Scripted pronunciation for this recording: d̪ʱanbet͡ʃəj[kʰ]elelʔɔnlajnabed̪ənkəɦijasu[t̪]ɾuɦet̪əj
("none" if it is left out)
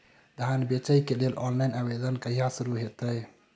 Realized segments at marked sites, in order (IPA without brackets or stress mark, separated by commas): k, none